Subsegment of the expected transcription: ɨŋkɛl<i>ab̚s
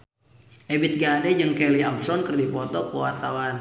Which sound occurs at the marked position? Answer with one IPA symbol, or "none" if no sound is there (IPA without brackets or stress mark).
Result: i